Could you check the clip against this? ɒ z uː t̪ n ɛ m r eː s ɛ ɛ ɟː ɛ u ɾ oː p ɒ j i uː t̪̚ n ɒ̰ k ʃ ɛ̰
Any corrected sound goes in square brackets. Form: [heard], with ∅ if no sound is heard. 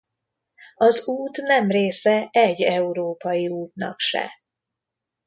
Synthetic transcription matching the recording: ɒ z uː t̪ n ɛ m r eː s ɛ ɛ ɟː ɛ u ɾ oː p ɒ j i uː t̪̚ n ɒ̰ k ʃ ɛ̰